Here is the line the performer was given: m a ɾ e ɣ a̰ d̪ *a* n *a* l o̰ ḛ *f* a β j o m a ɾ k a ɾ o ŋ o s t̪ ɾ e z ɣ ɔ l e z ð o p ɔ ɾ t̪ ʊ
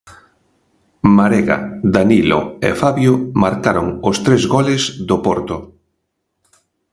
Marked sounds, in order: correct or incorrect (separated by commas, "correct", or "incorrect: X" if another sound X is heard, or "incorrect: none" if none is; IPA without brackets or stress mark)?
correct, incorrect: i, correct